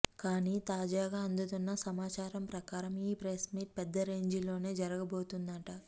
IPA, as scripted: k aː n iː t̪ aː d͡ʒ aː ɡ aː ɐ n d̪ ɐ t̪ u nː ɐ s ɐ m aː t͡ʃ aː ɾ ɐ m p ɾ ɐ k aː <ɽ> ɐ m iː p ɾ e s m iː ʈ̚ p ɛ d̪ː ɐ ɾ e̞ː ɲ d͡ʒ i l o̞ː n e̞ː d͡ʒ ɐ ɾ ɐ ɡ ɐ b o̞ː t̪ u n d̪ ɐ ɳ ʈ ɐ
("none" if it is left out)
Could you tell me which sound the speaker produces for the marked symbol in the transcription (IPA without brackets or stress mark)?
ɾ